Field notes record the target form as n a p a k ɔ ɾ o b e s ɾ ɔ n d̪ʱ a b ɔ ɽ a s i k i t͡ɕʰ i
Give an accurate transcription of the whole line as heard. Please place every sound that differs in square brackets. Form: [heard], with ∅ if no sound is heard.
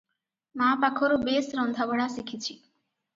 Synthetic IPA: [m] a p a [kʰ] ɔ ɾ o b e s ɾ ɔ n d̪ʱ a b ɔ ɽ a s i [kʰ] i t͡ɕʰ i